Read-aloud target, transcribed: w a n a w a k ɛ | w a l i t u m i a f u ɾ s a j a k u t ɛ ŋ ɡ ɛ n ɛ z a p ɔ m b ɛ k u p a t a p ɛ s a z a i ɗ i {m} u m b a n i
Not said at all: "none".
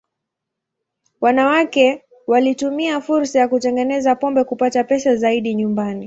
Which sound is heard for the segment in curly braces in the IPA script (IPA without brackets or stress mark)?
ɲ